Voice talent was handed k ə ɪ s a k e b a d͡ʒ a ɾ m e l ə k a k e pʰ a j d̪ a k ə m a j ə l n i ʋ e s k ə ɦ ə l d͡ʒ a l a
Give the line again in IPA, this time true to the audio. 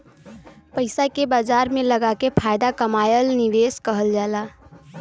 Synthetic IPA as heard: p ə ɪ s a k e b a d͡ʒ a ɾ m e l ə ɡ a k e pʰ a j d̪ a k ə m a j ə l n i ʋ e s k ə ɦ ə l d͡ʒ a l a